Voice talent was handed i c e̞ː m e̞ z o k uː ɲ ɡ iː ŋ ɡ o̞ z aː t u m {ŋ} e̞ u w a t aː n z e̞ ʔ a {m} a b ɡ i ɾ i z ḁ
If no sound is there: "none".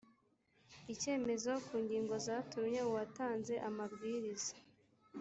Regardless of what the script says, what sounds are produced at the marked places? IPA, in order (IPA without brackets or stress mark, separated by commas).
ɲ, m